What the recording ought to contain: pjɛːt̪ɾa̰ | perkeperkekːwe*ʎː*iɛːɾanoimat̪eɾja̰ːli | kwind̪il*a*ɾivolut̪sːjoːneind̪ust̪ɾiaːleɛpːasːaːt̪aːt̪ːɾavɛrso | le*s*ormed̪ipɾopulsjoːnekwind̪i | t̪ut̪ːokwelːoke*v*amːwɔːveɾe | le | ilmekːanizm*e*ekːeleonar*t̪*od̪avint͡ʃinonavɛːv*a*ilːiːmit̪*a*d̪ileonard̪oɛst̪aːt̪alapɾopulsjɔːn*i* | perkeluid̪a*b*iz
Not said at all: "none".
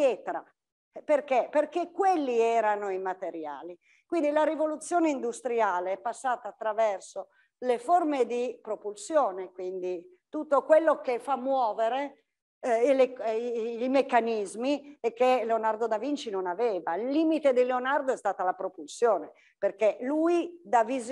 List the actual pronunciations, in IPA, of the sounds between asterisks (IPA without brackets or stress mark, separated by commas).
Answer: lː, a, f, f, i, d̪, a, e, e, v